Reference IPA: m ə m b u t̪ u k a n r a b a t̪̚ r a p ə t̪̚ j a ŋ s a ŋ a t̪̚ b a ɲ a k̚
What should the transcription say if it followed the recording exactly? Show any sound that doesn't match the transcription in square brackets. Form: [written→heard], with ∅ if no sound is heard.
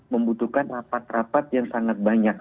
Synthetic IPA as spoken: m ə m b u t̪ u k a n r a [b→p] a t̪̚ r a p [ə→a] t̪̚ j a ŋ s a ŋ a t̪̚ b a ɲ a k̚